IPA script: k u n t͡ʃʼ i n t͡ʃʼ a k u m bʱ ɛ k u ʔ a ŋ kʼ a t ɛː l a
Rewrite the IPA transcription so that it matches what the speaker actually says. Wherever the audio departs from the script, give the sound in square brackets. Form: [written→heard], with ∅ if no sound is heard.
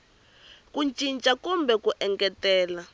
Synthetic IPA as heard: k u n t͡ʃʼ i n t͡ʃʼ a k u m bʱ ɛ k u ʔ [a→ɛ] ŋ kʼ [a→ɛ] t ɛː l a